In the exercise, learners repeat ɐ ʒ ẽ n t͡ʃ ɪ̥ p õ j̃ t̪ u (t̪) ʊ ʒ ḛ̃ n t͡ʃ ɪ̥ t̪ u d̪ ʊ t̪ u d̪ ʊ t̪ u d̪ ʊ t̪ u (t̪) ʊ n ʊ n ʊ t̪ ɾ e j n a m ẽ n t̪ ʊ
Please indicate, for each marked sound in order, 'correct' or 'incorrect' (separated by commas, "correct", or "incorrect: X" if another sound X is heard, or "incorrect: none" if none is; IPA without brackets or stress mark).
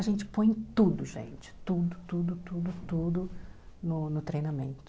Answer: incorrect: d̪, incorrect: d̪